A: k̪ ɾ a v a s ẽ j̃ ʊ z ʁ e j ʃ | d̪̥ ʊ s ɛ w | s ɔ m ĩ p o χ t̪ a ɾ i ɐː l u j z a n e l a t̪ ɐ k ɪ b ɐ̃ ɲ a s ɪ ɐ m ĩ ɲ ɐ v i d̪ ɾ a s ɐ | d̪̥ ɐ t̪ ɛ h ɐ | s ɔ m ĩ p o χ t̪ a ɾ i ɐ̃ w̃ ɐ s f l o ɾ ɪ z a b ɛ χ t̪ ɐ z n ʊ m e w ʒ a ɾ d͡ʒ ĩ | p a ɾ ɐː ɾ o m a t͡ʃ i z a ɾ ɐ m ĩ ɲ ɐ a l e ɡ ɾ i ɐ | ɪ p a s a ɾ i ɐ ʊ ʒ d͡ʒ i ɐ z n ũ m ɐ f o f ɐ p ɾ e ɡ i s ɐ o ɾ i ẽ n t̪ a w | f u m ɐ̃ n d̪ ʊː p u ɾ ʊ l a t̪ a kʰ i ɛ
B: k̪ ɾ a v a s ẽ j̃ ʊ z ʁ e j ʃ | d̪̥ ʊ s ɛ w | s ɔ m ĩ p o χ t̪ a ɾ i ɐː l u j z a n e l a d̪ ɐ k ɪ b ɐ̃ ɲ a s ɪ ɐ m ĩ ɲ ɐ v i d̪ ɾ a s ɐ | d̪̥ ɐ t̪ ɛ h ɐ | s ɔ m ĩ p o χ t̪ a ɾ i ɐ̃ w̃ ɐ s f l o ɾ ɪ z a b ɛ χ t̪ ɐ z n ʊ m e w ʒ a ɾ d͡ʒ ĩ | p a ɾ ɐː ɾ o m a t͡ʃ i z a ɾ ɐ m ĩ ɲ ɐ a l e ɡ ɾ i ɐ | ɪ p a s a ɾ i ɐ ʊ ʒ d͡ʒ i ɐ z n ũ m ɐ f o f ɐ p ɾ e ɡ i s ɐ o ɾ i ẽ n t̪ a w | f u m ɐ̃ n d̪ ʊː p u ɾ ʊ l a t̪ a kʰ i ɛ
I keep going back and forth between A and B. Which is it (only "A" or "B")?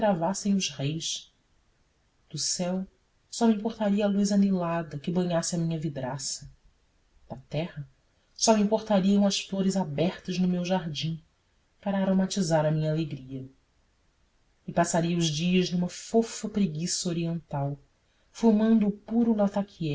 B